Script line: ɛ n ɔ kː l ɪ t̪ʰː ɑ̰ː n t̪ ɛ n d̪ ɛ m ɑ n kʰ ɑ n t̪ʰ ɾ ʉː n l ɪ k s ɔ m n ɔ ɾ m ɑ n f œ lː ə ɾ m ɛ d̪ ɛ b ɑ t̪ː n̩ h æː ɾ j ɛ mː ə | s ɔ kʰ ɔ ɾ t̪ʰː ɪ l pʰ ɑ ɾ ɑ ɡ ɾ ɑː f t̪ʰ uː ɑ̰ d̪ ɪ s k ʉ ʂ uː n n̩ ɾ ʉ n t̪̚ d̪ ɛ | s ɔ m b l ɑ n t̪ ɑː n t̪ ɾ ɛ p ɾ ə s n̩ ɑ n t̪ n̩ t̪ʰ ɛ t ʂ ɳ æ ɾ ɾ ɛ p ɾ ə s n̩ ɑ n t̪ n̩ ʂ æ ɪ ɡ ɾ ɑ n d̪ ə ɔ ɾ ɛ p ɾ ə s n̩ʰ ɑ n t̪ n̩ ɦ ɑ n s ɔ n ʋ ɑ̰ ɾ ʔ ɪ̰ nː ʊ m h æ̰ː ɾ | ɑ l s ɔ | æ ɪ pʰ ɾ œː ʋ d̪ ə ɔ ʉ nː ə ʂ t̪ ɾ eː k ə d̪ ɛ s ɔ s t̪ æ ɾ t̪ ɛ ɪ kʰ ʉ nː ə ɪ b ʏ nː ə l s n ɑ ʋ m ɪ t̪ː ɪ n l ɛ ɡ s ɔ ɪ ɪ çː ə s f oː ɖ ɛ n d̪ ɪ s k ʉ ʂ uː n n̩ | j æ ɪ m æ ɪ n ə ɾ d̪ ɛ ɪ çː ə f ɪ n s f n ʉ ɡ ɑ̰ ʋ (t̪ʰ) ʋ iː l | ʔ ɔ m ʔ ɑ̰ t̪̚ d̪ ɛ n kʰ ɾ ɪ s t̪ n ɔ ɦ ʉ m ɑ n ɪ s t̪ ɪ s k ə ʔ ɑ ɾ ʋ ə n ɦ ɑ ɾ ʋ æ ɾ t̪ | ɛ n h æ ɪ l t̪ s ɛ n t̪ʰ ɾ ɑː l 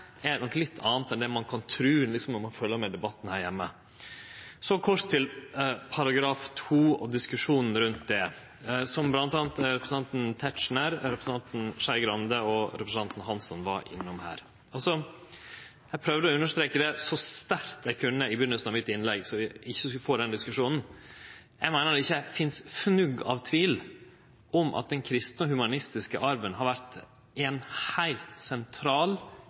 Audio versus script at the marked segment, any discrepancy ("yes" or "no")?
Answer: no